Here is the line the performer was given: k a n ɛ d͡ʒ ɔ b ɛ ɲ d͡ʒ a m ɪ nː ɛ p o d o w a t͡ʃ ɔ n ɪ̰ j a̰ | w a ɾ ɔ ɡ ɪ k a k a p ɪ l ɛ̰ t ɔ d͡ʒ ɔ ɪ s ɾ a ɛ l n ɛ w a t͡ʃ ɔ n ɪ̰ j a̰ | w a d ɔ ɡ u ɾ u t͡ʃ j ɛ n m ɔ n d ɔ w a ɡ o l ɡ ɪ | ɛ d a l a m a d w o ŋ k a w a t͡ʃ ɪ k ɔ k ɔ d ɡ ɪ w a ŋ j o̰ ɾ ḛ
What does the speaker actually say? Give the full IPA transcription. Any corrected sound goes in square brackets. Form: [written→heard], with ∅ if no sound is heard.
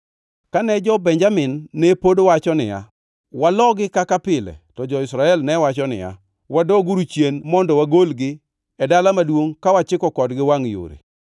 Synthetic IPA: k a n ɛ d͡ʒ ɔ b ɛ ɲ d͡ʒ a m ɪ nː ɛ p o d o w a t͡ʃ ɔ n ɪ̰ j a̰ | w a [ɾ→l] ɔ ɡ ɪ k a k a p ɪ l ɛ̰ t ɔ d͡ʒ ɔ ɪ s ɾ a ɛ l n ɛ w a t͡ʃ ɔ n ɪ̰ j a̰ | w a d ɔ ɡ u ɾ u t͡ʃ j [ɛ→e] n m ɔ n d ɔ w a ɡ o l ɡ ɪ | ɛ d a l a m a d w o ŋ k a w a t͡ʃ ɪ k ɔ k ɔ d ɡ ɪ w a ŋ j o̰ ɾ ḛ